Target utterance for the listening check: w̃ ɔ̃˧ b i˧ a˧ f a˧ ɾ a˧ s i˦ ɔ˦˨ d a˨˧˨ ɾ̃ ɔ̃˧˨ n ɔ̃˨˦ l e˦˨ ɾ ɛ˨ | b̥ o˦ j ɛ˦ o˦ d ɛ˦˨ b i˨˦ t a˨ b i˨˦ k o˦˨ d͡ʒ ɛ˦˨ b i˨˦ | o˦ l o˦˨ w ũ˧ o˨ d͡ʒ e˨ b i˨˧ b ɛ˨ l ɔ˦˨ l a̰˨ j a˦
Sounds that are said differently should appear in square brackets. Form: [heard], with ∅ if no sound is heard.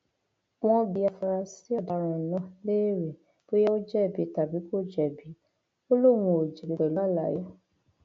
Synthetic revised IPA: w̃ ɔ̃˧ b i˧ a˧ f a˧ ɾ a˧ s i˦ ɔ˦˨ d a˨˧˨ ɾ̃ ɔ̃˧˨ n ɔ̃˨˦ l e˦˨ ɾ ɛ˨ | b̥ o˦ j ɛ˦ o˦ [d͡ʒ] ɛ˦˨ b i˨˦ t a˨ b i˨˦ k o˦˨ d͡ʒ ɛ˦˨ b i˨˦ | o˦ l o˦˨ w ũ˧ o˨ d͡ʒ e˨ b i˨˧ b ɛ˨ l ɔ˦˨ l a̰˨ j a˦

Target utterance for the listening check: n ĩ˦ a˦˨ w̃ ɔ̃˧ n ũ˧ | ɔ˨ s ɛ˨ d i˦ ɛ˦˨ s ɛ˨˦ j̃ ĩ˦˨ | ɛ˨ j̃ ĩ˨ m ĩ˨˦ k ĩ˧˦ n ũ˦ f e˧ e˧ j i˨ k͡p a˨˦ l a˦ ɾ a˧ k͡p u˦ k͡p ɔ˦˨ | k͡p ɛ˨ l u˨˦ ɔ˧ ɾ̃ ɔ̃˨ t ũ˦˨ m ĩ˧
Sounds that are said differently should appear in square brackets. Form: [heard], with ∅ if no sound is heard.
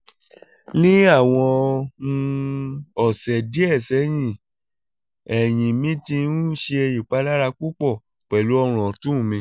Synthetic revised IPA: n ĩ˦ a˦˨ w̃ ɔ̃˧ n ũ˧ | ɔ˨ s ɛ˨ d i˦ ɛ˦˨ s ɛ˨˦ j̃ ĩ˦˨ | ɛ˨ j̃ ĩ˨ m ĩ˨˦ [t] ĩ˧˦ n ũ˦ [ʃ] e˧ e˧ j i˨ k͡p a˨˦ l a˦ ɾ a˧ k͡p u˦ k͡p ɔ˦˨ | k͡p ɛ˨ l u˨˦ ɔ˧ ɾ̃ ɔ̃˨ t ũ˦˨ m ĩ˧

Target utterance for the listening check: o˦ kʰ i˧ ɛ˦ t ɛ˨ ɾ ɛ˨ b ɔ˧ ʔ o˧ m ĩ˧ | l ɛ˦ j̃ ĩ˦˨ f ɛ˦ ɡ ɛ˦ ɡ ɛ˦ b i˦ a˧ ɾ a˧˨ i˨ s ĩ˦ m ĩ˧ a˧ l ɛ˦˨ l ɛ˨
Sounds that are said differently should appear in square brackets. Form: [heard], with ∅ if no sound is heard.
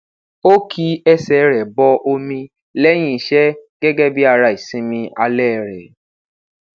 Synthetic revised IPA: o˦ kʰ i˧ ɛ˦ [s] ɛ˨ ɾ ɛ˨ b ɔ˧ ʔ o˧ m ĩ˧ | l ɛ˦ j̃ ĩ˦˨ [ʃ] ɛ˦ ɡ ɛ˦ ɡ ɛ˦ b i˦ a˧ ɾ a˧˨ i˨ s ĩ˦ m ĩ˧ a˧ l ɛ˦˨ [ɾ] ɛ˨

